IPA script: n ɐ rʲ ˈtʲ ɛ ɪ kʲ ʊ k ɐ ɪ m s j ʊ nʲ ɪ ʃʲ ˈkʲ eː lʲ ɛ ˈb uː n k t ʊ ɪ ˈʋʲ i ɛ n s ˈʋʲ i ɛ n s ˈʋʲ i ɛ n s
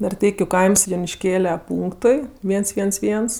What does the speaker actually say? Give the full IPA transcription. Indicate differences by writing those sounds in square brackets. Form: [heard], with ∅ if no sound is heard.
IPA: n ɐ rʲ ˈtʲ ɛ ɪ kʲ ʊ k ɐ ɪ m s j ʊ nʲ ɪ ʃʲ ˈkʲ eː lʲ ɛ [ˈp] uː [ŋ] k t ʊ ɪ ˈʋʲ i ɛ n s ˈʋʲ i ɛ n s ˈʋʲ i ɛ n s